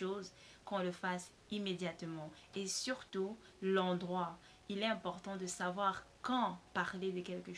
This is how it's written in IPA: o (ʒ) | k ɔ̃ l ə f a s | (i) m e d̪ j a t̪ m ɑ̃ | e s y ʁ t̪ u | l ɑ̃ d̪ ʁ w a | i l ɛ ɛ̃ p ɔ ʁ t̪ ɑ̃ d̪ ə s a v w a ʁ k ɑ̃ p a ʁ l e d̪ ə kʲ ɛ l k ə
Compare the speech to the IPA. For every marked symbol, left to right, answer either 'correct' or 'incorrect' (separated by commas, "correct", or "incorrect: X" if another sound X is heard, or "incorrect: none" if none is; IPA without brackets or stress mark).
incorrect: z, correct